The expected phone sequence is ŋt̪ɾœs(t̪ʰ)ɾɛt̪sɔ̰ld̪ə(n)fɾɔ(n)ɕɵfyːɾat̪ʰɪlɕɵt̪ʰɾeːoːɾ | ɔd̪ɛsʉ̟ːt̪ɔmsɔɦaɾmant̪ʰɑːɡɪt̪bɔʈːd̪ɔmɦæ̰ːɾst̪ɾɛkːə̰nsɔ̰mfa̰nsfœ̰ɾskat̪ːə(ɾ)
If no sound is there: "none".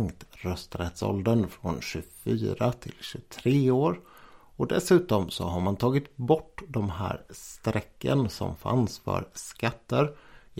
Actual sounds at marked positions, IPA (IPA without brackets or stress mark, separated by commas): t̪, n, n, ɾ